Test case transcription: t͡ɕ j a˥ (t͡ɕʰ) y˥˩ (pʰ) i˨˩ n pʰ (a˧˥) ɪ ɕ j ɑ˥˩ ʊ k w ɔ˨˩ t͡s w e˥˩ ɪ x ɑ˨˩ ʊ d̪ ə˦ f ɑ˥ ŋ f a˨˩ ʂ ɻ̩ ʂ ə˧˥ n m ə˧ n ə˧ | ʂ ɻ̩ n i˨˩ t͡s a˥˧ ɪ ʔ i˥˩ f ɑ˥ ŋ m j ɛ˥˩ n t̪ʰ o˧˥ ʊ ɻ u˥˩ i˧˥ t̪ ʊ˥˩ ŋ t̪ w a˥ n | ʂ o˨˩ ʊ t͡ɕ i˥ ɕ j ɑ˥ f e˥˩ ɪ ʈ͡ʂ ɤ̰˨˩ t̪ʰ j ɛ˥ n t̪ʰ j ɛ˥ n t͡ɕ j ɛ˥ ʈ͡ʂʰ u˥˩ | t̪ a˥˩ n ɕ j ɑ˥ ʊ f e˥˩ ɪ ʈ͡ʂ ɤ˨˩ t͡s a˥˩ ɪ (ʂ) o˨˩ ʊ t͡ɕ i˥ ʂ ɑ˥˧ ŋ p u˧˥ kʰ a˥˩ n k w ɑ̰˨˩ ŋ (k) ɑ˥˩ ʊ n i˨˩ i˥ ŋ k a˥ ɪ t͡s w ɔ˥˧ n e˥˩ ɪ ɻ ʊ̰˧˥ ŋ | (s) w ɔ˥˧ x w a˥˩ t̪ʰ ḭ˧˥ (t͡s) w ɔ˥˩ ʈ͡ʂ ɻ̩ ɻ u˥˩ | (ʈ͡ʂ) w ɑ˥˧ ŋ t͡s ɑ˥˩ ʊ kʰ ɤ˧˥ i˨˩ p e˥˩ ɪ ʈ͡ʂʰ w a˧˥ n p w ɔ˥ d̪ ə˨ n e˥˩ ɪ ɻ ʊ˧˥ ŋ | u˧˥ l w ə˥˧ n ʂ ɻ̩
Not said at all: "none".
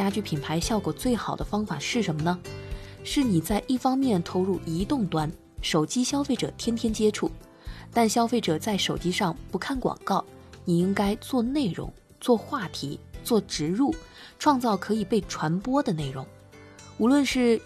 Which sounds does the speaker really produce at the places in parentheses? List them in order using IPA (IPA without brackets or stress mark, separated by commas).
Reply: t͡ɕ, pʰ, a˧˥, ʂ, k, t͡s, t͡s, ʈ͡ʂʰ